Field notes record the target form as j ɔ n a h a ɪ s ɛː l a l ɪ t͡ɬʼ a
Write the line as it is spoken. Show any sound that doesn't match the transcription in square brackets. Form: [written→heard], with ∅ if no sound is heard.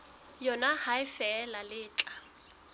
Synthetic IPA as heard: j ɔ n a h a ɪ [s→f] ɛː l a l [ɪ→ɪː] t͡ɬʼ a